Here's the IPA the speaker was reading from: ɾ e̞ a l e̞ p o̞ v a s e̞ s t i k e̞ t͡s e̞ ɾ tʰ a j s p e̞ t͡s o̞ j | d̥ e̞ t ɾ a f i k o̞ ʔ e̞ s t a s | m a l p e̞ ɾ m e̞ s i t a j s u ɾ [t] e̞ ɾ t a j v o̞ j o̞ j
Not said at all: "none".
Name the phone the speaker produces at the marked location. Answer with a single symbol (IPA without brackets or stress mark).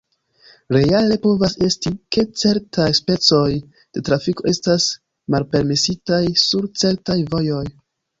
t͡s